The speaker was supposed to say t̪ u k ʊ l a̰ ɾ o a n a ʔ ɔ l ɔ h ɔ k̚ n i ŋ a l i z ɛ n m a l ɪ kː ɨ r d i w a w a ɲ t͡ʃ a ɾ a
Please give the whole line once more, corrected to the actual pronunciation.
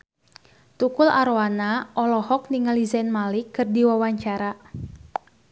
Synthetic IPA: t̪ u k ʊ l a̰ ɾ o a n a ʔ ɔ l ɔ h ɔ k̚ n i ŋ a l i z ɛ n m a l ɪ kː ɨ r d i w a w a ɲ t͡ʃ a ɾ a

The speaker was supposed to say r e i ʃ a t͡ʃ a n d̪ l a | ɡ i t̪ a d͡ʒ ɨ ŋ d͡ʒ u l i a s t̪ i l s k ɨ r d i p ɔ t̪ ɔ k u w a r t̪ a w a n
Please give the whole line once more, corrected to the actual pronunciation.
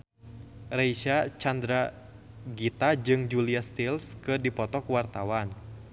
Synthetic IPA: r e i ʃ a t͡ʃ a n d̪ ɾ a | ɡ i t̪ a d͡ʒ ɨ ŋ d͡ʒ u l i a s t̪ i l s k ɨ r d i p ɔ t̪ ɔ k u w a r t̪ a w a n

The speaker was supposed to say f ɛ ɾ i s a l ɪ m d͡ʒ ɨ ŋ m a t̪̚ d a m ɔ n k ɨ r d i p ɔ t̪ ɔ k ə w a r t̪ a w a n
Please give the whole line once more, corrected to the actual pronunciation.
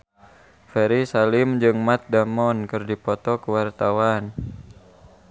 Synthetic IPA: f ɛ ɾ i s a l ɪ m d͡ʒ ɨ ŋ m a t̪̚ d a m ɔ n k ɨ r d i p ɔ t̪ ɔ k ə w a r t̪ a w a n

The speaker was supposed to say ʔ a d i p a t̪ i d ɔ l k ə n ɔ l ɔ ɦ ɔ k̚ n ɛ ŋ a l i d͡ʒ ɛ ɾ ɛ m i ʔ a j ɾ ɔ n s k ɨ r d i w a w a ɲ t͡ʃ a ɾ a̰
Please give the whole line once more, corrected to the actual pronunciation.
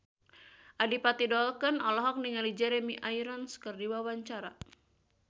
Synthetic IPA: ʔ a d i p a t̪ i d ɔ l k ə n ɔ l ɔ ɦ ɔ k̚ n i ŋ a l i d͡ʒ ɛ ɾ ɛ m i ʔ a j ɾ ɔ n s k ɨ r d i w a w a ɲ t͡ʃ a ɾ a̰

